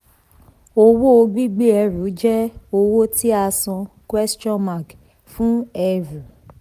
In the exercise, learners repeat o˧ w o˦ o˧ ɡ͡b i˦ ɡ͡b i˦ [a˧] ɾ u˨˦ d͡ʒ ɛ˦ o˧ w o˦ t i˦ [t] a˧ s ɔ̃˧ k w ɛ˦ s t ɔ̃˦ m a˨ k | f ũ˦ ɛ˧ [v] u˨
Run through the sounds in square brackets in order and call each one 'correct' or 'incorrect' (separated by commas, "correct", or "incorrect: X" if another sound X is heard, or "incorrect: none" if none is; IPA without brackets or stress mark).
incorrect: ɛ˧, incorrect: none, correct